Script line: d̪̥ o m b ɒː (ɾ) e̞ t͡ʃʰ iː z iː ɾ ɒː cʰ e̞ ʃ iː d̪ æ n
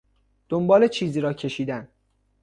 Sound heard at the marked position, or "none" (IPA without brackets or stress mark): l